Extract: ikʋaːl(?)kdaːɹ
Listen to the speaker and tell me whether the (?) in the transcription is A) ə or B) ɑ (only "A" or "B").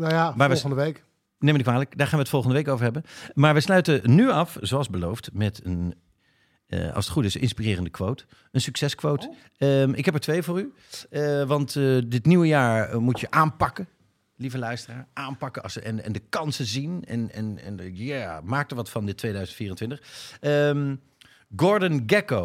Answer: A